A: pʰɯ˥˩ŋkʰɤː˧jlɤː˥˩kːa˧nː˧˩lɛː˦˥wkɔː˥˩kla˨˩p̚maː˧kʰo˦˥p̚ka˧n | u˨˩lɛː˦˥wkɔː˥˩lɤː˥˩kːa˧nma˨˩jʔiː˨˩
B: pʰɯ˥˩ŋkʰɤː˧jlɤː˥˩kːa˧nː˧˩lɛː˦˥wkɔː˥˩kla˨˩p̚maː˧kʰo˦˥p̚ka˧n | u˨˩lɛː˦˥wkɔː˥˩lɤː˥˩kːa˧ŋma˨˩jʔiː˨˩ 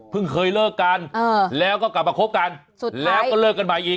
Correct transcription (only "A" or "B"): A